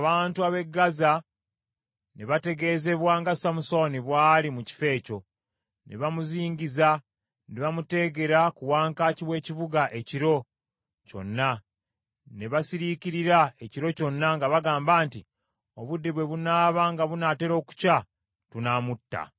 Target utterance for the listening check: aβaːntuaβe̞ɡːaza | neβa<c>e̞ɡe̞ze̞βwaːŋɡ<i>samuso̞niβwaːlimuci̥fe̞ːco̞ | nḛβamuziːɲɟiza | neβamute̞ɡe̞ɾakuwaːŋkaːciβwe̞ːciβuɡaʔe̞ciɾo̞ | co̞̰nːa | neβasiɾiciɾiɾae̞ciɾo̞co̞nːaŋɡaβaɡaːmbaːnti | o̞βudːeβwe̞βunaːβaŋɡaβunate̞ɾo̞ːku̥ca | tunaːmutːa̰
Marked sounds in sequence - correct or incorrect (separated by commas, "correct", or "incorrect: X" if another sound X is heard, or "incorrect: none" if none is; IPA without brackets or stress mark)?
incorrect: t, incorrect: a